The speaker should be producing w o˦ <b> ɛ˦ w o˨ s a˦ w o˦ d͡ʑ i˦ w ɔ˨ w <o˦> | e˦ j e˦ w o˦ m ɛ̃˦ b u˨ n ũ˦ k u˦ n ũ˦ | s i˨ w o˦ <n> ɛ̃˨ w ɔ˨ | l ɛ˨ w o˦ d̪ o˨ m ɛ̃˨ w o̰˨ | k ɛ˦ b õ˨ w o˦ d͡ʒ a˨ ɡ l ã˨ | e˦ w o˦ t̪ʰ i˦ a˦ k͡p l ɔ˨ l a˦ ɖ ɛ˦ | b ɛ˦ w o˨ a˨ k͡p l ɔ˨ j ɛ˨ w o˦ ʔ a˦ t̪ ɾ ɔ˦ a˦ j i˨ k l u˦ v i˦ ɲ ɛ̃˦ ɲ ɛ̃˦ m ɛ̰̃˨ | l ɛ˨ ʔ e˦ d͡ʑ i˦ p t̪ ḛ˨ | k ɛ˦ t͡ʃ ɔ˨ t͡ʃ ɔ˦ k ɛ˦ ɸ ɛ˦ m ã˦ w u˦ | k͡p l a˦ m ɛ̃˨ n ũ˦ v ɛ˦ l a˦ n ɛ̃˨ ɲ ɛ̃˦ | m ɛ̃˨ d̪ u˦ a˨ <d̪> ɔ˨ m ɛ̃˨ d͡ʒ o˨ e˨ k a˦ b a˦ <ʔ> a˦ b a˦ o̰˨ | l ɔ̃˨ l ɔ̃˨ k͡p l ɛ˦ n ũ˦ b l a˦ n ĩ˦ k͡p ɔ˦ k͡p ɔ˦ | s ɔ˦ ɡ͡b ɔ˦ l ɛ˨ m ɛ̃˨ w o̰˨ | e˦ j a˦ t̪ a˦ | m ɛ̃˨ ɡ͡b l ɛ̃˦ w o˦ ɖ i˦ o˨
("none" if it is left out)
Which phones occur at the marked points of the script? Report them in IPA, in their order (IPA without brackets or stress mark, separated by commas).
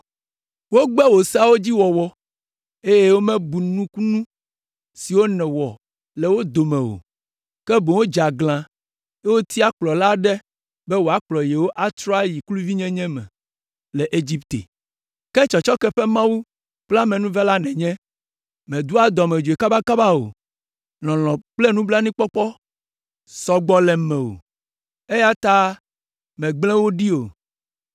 ɡ͡b, ɔ˦, n, d̪, k